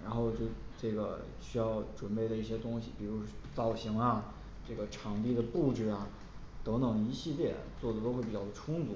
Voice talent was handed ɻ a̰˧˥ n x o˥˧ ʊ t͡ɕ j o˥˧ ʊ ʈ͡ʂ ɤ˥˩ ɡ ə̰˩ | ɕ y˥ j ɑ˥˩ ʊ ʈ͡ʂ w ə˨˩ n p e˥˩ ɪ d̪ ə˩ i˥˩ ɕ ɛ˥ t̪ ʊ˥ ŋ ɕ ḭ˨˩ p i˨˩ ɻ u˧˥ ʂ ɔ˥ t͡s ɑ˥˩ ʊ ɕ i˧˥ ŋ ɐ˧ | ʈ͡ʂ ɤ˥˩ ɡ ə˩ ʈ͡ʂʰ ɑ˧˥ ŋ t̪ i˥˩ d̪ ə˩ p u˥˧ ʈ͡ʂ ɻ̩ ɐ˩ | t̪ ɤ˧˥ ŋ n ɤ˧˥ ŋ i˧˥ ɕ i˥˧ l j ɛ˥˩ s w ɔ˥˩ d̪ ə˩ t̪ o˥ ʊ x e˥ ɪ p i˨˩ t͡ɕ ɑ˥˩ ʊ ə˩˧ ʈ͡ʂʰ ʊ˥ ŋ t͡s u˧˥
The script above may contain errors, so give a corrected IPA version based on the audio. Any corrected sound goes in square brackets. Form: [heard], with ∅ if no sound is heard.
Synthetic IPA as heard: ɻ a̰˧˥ n x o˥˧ ʊ t͡ɕ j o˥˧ ʊ ʈ͡ʂ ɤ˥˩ ɡ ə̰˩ | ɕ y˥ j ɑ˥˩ ʊ ʈ͡ʂ w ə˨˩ n p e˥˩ ɪ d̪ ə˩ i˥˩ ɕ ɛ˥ t̪ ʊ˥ ŋ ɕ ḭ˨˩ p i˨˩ ɻ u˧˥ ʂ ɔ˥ t͡s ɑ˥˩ ʊ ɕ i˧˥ ŋ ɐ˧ | ʈ͡ʂ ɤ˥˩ ɡ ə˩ ʈ͡ʂʰ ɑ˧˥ ŋ t̪ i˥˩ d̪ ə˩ p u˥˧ ʈ͡ʂ ɻ̩ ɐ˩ | t̪ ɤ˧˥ ŋ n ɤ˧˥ ŋ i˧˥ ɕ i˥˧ l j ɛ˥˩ [t͡s] w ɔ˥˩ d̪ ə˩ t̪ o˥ ʊ x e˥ ɪ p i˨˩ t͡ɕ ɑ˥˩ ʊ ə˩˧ ʈ͡ʂʰ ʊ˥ ŋ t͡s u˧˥